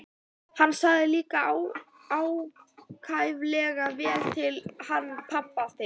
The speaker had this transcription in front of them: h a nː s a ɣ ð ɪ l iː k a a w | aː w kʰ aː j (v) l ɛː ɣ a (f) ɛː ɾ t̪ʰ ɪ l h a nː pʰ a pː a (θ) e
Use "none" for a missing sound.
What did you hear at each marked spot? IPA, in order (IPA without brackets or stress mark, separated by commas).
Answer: v, v, θ